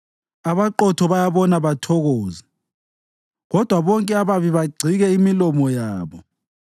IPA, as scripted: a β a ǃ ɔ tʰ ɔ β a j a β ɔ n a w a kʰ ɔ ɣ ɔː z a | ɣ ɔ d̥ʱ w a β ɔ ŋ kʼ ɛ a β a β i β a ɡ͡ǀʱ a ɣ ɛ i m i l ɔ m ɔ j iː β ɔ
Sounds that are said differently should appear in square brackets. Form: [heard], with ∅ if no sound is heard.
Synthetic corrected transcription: a β a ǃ ɔ tʰ ɔ β a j a β ɔ n a [β] a [tʰ] ɔ ɣ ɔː z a | ɣ ɔ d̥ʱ w a β ɔ ŋ kʼ ɛ a β a β i β a ɡ͡ǀʱ [i] ɣ ɛ i m i l ɔ m ɔ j [aː] β ɔ